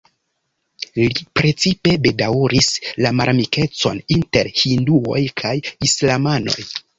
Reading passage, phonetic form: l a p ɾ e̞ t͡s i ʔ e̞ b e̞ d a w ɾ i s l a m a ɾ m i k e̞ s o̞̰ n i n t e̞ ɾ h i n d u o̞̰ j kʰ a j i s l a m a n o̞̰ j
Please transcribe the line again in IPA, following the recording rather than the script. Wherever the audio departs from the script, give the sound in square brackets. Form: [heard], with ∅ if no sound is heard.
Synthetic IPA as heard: l [i] p ɾ e̞ t͡s i [p] e̞ b e̞ d a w ɾ i s l a m a ɾ m i k e̞ [t͡s] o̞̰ n i n t e̞ ɾ h i n d u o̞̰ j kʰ a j i s l a m a n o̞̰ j